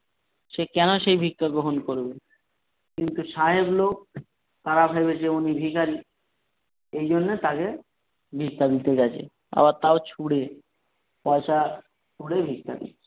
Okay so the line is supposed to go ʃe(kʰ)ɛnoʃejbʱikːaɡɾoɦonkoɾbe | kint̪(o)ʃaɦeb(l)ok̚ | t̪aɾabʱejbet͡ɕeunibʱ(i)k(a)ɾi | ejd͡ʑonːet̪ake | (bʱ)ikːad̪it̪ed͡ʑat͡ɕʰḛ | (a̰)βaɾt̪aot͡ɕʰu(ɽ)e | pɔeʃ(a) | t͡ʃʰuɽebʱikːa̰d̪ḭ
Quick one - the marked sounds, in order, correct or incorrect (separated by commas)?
incorrect, incorrect, correct, correct, correct, correct, correct, correct, correct